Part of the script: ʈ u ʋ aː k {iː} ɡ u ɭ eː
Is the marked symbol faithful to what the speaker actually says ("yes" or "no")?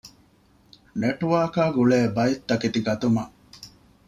no